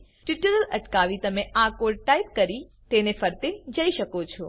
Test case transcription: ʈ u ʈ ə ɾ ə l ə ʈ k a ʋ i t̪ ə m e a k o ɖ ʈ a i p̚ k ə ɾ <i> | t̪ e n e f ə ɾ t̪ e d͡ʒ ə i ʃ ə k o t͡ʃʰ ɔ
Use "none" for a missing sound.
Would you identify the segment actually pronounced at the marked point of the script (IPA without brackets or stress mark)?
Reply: i